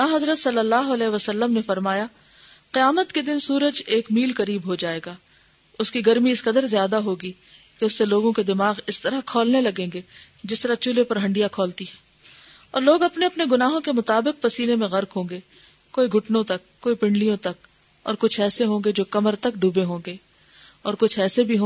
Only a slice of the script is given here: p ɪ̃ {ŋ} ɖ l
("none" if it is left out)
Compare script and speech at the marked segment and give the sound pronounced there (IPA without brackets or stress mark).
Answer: ɳ